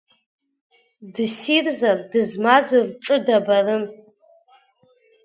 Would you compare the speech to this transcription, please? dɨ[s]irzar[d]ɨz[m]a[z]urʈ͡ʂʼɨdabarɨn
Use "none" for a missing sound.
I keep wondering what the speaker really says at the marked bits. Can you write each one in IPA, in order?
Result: s, d, m, z

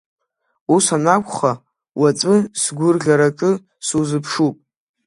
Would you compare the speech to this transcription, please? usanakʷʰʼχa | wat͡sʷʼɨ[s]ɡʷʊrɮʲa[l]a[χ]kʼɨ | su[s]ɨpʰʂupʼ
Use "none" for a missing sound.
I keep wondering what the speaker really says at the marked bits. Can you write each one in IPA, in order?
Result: s, ɾ, none, z

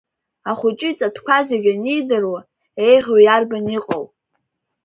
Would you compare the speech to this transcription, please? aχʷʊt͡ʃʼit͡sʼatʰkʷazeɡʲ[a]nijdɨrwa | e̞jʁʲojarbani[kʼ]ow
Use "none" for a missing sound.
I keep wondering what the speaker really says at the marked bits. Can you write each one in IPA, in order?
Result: a, qʼ

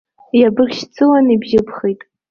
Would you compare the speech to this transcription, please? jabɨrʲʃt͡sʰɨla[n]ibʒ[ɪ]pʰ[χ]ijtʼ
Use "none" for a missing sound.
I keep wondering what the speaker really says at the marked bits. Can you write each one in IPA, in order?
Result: n, ɪ, χ

